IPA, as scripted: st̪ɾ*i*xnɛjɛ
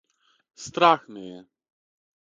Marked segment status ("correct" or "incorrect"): incorrect